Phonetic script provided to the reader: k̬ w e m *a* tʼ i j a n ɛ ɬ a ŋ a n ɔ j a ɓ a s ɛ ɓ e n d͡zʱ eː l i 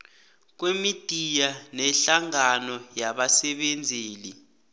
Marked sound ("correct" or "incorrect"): incorrect